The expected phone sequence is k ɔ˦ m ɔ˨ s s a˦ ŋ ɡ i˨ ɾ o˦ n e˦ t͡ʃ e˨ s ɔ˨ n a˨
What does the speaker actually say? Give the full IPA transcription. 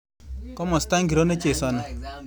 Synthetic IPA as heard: k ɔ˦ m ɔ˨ s t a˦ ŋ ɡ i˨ ɾ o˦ n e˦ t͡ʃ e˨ s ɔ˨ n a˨